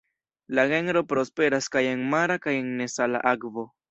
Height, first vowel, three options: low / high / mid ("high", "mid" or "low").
low